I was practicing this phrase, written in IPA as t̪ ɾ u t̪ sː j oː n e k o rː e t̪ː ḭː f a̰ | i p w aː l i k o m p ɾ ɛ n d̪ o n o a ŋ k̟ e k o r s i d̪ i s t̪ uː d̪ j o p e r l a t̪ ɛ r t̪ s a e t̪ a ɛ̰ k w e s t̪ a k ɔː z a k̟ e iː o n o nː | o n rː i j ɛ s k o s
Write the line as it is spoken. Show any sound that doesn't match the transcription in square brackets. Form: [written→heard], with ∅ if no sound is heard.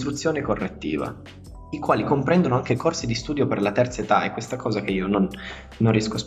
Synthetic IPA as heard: t̪ ɾ u t̪ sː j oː n e k o rː e t̪ː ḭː [f→v] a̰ | i [p→k] w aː l i k o m p ɾ ɛ n d̪ o n o a ŋ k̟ e k o r s i d̪ i s t̪ uː d̪ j o p e r l a t̪ ɛ r t̪ s a e t̪ a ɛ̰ k w e s t̪ a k ɔː z a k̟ e iː o n o nː | o n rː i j ɛ s k o s